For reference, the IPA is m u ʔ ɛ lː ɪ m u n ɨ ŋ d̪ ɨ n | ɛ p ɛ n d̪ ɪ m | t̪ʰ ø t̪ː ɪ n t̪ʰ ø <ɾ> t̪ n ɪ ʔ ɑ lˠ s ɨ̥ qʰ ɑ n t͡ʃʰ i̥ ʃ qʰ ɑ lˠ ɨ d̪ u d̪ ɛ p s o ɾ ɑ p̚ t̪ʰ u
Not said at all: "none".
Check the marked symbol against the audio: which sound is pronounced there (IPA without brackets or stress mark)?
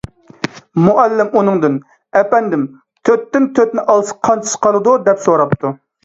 none